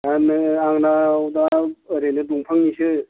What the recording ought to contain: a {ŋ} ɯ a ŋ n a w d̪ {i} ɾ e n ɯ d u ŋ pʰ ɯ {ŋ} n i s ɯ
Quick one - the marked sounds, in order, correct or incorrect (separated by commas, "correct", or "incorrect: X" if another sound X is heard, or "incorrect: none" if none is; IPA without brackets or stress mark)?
incorrect: n, incorrect: a, correct